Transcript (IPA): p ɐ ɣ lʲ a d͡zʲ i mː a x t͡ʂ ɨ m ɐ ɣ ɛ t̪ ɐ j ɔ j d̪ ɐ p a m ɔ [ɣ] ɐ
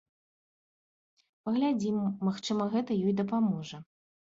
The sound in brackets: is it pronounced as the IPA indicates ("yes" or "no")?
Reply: no